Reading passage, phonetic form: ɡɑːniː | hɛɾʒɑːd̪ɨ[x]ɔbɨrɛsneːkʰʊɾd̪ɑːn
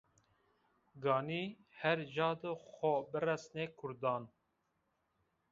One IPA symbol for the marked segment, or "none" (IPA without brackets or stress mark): x